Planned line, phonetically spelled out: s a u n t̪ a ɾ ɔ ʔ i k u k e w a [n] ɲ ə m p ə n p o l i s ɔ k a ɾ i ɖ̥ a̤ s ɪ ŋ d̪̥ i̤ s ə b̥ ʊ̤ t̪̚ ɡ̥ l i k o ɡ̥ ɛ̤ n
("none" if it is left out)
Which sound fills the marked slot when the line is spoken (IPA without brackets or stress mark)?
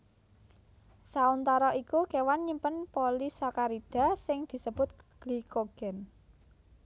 n